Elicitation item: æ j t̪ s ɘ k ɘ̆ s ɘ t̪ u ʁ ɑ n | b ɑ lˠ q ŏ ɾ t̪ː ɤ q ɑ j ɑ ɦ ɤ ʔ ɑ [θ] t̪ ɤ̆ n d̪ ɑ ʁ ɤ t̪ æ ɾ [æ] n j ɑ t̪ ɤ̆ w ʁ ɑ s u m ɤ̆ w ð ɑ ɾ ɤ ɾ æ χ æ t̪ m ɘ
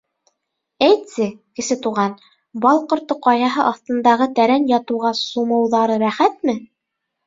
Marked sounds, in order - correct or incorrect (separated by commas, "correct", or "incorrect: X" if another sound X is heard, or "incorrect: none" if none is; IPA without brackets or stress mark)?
correct, correct